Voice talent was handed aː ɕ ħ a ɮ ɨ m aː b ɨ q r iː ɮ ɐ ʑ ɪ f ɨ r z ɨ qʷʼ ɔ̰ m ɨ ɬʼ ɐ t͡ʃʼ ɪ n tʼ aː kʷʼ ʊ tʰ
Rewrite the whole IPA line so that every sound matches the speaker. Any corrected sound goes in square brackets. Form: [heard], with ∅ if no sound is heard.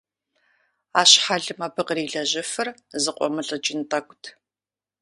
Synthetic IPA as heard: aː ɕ ħ a ɮ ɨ m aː b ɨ q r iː ɮ ɐ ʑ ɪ f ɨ r z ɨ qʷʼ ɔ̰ m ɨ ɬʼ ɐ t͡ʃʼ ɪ n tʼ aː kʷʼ ʊ tʰ